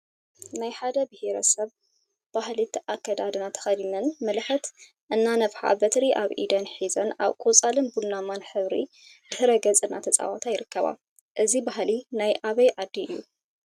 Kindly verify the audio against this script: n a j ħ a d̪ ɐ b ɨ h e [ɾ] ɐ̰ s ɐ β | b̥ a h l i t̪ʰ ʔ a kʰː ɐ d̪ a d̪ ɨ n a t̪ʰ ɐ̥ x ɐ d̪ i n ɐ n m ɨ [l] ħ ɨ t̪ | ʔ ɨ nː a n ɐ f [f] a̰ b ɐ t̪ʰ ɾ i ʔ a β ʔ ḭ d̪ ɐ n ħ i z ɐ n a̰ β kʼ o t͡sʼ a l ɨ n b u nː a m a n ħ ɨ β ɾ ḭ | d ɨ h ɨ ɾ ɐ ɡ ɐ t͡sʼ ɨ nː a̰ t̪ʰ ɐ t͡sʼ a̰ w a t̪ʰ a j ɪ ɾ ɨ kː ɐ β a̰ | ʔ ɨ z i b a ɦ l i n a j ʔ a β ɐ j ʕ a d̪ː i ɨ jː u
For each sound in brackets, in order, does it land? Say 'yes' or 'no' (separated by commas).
yes, yes, no